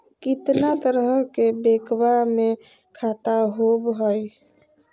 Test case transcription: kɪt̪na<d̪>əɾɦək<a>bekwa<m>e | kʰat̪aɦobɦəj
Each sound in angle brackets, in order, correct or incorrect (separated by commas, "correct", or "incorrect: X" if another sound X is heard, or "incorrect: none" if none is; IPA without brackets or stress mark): incorrect: t̪, incorrect: e, correct